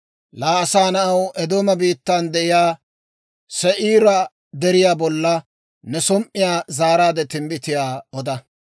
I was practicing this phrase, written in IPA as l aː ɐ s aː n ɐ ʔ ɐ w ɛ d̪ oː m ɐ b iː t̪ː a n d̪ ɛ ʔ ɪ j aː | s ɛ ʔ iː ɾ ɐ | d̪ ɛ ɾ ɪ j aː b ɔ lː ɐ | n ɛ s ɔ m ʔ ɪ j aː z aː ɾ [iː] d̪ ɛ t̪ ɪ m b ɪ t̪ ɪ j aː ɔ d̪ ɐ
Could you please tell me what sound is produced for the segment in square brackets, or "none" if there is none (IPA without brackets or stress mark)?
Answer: aː